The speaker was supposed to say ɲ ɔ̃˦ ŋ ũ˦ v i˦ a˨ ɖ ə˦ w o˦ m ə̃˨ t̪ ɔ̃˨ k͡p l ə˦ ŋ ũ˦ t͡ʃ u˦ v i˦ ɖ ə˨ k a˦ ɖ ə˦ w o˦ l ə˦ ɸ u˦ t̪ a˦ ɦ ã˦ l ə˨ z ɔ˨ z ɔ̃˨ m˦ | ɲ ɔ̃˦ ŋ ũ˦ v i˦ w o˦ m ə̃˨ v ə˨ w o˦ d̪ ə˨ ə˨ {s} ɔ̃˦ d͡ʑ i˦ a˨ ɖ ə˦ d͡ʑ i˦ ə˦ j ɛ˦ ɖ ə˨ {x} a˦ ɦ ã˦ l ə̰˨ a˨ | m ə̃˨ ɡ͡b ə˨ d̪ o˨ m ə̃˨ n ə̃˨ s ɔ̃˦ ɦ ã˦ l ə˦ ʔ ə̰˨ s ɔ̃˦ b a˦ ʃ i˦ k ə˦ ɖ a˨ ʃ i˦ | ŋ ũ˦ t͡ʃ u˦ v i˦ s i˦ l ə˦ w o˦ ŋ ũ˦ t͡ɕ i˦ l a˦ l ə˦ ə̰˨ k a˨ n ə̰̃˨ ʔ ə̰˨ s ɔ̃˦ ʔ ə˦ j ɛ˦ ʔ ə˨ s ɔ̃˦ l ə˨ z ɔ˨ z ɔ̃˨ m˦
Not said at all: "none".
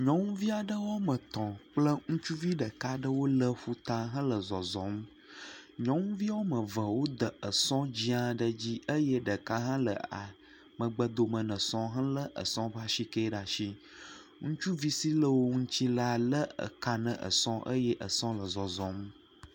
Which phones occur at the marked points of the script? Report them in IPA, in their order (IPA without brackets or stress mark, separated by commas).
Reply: s, k